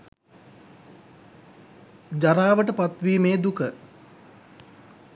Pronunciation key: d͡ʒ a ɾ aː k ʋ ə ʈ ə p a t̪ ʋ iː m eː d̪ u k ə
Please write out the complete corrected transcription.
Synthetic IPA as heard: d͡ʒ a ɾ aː ʋ ə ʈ ə p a t̪ ʋ iː m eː d̪ u k ə